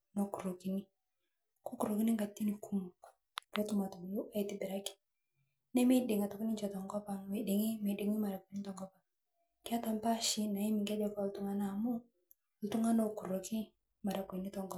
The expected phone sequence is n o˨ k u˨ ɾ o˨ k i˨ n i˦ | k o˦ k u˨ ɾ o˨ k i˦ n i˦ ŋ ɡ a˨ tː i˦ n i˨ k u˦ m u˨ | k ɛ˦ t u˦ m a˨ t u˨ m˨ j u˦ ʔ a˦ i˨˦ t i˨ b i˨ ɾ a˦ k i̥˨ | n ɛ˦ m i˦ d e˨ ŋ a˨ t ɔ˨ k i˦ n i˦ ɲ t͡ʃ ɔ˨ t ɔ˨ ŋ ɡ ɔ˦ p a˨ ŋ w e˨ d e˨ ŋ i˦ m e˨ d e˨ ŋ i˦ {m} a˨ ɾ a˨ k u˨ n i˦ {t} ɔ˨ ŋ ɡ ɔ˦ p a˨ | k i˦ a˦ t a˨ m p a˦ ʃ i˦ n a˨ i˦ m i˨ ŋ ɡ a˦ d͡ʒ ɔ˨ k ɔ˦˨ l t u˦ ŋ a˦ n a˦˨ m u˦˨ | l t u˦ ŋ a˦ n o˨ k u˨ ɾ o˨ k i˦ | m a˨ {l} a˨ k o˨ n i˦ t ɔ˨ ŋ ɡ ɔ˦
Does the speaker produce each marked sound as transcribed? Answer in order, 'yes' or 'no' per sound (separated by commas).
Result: yes, yes, no